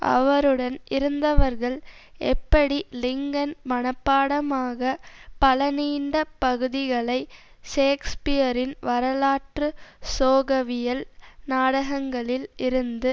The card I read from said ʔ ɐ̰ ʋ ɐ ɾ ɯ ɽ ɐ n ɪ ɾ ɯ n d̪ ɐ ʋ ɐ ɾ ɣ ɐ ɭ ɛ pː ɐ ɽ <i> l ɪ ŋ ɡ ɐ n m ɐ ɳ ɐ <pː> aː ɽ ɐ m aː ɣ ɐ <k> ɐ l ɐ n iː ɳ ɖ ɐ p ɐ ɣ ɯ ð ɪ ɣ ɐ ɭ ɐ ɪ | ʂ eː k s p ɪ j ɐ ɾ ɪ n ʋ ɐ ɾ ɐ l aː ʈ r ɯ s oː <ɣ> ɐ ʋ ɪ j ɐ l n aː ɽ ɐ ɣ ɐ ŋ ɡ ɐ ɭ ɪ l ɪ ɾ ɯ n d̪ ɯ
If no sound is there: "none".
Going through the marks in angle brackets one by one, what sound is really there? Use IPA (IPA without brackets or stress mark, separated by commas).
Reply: i, pː, p, ɣ